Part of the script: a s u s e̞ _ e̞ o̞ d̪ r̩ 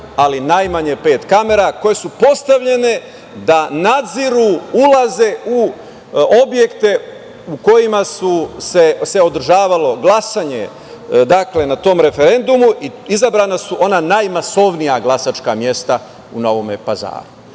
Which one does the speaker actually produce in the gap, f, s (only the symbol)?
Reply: s